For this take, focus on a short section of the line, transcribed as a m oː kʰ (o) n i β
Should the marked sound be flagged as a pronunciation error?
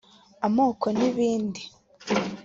no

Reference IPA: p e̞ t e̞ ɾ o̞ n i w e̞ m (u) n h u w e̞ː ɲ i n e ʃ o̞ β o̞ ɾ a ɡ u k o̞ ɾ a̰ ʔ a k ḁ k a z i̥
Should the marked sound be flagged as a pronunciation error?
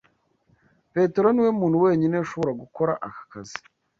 yes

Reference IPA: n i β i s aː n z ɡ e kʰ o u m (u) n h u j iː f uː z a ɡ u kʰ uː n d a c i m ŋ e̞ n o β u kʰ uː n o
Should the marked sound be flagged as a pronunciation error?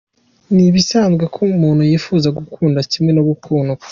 yes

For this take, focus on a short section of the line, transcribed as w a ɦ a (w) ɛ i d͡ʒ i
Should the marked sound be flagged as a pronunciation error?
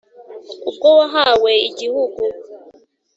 no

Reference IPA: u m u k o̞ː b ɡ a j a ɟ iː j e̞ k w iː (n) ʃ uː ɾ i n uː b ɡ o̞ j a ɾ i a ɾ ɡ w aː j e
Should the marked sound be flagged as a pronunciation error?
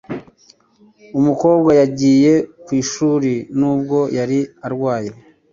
yes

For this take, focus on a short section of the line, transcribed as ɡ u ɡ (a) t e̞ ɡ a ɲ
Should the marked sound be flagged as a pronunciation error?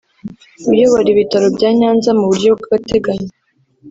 no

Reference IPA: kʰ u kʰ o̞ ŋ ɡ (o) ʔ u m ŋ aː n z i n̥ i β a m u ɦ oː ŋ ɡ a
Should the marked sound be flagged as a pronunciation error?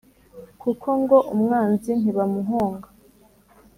no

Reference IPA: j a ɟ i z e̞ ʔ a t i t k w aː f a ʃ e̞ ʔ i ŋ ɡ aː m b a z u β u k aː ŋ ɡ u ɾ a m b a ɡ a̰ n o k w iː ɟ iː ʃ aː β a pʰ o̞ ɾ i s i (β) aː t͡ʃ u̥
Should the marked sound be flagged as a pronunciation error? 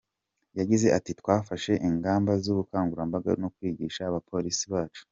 no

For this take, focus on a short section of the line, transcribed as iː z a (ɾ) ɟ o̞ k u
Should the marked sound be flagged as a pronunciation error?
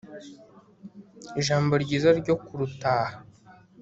no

